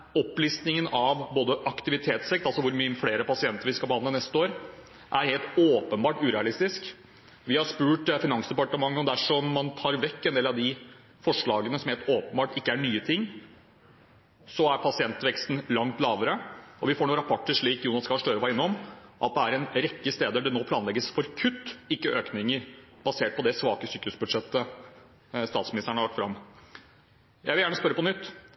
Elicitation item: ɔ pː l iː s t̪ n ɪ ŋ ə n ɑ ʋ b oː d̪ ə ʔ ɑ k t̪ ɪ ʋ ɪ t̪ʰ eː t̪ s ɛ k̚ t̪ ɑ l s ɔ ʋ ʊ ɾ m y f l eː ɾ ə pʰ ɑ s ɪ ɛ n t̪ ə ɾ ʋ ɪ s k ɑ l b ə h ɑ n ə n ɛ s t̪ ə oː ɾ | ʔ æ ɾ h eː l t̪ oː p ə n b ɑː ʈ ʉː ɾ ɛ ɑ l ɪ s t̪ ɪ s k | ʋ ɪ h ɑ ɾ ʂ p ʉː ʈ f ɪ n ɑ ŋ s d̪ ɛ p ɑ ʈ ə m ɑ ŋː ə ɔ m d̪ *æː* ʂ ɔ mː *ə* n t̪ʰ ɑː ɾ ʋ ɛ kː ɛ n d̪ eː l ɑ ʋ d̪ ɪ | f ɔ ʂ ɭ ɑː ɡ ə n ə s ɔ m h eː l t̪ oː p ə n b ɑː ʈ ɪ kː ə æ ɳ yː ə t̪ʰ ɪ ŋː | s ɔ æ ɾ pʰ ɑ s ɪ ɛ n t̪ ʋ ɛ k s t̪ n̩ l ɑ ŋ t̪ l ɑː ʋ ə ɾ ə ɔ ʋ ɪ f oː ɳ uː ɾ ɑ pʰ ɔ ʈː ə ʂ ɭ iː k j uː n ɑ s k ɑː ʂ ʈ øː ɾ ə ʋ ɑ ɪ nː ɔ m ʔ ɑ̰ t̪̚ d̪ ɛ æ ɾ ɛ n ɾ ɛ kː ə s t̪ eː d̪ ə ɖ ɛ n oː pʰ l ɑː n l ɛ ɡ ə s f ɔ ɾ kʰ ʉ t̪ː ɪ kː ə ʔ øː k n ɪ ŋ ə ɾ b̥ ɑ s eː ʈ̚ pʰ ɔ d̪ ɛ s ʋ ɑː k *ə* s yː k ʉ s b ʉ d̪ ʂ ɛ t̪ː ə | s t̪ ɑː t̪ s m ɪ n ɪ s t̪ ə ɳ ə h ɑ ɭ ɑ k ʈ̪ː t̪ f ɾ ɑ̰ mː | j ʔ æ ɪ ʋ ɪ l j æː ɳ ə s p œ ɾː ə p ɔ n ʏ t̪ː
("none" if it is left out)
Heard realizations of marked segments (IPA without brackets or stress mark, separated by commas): æ, ɑ, ə